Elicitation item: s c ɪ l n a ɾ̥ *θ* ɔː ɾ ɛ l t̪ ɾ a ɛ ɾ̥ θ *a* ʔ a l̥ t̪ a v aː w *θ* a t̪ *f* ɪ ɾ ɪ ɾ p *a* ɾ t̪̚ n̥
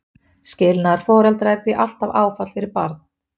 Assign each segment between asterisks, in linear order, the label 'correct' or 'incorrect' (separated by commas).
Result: incorrect, incorrect, incorrect, correct, correct